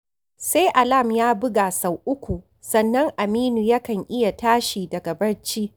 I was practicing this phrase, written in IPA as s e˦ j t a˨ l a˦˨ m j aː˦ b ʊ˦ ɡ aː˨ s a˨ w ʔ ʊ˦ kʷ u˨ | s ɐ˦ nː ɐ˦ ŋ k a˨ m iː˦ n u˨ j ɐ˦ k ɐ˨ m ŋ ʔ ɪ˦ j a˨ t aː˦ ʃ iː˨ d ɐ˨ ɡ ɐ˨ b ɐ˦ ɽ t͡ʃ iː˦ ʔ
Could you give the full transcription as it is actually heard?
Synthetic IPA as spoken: s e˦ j ʔ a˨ l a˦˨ m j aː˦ b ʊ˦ ɡ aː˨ s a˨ w ʔ ʊ˦ kʷ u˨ | s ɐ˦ nː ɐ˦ ŋ ʔ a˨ m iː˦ n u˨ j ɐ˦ k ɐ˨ ŋ ʔ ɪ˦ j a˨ t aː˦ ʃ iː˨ d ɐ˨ ɡ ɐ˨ b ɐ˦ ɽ t͡ʃ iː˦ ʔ